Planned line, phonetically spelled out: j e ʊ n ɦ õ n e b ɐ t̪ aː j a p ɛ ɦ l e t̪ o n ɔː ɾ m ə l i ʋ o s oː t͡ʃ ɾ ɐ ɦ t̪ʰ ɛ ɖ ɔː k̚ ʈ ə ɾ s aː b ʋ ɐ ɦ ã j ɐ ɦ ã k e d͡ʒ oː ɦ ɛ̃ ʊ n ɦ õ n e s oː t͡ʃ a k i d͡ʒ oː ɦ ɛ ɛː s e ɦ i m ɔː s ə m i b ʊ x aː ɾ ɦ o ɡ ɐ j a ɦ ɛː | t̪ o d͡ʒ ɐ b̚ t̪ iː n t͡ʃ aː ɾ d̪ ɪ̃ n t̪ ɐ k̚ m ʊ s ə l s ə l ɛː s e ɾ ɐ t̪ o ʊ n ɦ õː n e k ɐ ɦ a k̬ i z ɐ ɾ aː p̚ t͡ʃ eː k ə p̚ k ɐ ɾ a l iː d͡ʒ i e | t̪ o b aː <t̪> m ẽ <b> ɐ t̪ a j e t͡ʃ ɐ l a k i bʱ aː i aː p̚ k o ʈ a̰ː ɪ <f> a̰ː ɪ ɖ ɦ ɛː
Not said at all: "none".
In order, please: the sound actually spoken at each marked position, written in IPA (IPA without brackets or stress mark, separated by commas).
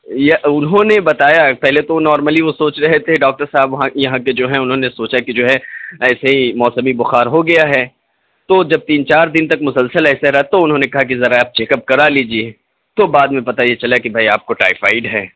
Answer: d̪, p, f